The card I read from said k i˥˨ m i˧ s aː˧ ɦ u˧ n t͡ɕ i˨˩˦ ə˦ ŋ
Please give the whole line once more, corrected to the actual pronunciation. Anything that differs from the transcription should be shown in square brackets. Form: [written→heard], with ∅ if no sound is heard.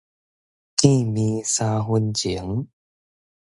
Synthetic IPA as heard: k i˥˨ m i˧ s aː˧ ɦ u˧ n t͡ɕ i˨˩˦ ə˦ ŋ